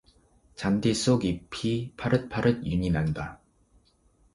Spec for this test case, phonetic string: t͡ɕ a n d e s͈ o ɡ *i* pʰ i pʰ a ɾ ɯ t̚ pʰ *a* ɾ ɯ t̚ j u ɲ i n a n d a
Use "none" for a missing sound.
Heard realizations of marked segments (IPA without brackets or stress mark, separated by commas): i, a